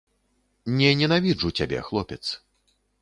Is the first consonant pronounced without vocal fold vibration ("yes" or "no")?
no